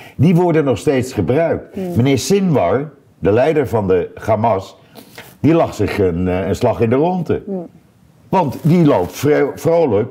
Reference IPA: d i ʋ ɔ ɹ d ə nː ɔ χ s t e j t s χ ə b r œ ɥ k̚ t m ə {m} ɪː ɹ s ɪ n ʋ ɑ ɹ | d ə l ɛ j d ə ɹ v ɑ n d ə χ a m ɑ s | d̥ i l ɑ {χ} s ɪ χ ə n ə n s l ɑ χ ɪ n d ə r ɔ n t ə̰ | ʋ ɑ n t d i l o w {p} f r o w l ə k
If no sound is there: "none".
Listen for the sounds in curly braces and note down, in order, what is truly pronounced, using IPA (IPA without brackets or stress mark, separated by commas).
n, χ, p